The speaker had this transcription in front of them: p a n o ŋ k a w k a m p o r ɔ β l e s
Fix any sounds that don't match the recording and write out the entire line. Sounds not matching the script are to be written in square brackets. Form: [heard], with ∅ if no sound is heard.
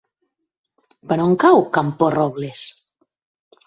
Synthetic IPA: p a n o ŋ k a w k a m p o r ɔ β l e s